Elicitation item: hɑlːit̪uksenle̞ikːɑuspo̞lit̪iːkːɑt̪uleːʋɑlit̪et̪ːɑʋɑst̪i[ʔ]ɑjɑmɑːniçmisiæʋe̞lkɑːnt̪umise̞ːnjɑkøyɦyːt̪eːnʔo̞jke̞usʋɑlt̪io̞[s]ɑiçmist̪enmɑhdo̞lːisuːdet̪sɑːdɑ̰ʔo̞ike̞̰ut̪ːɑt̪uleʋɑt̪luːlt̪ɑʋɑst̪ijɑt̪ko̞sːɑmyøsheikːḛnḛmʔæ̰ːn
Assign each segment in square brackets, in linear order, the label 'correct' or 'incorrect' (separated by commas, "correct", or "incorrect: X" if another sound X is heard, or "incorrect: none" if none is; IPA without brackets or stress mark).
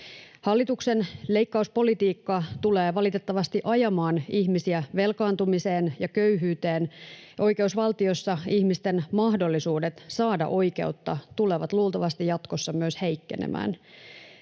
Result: correct, incorrect: sː